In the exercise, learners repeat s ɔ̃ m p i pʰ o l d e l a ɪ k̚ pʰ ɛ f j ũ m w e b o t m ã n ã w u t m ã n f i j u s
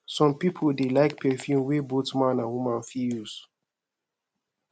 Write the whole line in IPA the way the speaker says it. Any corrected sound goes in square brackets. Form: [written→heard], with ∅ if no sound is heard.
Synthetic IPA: s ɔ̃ m p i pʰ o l d e l a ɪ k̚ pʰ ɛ f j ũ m w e b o t m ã n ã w u [t→∅] m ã n f i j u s